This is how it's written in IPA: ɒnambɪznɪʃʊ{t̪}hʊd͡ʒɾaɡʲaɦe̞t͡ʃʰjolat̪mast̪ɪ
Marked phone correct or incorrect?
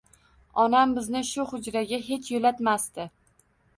incorrect